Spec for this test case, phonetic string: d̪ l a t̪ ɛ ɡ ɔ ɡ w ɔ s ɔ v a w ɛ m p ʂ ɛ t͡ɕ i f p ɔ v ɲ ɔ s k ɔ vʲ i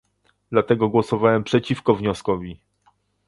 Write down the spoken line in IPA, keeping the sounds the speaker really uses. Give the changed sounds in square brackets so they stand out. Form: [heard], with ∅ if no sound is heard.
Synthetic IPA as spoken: d̪ l a t̪ ɛ ɡ ɔ ɡ w ɔ s ɔ v a w ɛ m p ʂ ɛ t͡ɕ i f [k] ɔ v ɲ ɔ s k ɔ vʲ i